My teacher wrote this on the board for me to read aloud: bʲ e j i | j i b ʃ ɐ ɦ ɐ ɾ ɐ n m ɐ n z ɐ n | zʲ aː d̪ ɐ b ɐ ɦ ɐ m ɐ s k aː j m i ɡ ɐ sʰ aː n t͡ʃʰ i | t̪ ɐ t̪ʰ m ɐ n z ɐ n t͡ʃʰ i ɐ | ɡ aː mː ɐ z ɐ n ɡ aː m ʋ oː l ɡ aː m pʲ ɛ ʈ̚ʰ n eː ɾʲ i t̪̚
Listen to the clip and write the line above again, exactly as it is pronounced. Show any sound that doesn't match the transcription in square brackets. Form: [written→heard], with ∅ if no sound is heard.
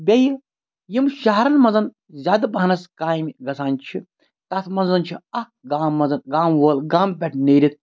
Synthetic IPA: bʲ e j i | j i [b→m] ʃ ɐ ɦ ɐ ɾ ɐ n m ɐ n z ɐ n | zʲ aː d̪ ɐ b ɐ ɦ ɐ [m→n] ɐ s k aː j m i ɡ ɐ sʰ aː n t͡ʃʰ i | t̪ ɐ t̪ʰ m ɐ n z ɐ n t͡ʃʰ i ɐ | ɡ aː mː ɐ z ɐ n ɡ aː m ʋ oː l ɡ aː m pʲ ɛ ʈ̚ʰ n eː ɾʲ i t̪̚